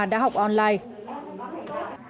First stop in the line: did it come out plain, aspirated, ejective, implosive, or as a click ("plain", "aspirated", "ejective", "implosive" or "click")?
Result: implosive